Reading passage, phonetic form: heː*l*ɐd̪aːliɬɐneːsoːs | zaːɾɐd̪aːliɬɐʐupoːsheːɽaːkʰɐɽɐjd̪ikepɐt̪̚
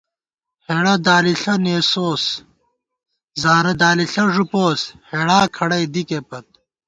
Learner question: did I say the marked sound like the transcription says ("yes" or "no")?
no